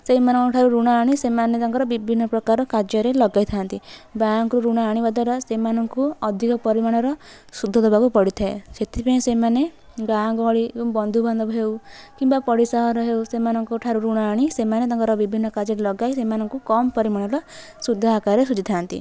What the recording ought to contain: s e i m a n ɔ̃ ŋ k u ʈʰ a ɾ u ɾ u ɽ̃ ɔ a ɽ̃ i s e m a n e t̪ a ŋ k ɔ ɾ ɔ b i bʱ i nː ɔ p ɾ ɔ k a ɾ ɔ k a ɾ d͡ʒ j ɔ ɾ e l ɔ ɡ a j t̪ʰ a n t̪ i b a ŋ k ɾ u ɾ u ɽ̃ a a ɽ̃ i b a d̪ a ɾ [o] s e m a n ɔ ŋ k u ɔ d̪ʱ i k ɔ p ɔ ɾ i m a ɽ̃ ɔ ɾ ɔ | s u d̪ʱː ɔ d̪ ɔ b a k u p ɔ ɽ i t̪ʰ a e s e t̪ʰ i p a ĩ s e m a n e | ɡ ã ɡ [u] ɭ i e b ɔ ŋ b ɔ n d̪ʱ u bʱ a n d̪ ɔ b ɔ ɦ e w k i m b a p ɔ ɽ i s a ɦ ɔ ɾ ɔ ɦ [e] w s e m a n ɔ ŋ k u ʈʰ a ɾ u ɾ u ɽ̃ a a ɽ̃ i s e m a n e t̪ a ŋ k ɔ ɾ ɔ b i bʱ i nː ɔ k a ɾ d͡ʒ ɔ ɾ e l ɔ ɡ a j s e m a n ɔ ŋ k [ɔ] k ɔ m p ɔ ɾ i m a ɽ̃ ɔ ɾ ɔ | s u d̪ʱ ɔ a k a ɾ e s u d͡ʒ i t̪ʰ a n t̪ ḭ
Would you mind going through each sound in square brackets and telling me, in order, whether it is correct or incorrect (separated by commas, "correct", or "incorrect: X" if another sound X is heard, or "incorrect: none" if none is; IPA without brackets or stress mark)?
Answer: incorrect: ɔ, incorrect: ɔ, correct, incorrect: u